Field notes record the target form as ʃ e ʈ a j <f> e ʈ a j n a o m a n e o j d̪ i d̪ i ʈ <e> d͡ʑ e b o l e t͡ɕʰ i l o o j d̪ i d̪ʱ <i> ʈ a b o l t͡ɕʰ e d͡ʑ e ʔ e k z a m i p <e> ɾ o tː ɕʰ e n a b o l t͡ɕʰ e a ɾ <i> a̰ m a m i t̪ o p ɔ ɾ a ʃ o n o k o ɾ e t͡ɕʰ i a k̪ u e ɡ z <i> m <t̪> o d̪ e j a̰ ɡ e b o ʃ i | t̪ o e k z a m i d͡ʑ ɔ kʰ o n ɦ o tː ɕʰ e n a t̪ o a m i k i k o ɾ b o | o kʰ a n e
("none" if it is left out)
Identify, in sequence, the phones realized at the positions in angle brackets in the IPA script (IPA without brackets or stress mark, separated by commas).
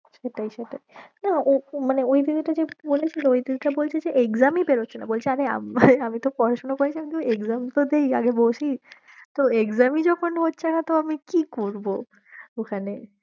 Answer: ʃ, a, i, e, e, a, t̪